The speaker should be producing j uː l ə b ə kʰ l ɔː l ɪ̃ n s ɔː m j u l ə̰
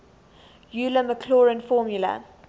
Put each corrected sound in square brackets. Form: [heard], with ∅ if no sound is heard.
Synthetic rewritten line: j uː l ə [m] ə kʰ l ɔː [ɹ] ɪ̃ n [f] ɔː m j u l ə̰